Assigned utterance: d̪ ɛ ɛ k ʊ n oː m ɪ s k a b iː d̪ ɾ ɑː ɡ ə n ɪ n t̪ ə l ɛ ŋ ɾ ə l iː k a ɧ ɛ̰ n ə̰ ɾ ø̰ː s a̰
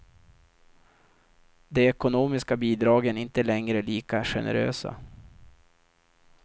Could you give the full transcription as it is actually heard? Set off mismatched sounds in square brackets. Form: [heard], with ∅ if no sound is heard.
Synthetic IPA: d̪ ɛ ɛ k ʊ n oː m ɪ s k a b iː d̪ ɾ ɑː ɡ ə n ɪ n t̪ ə l ɛ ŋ ɾ ə l iː k a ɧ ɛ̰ n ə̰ ɾ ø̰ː s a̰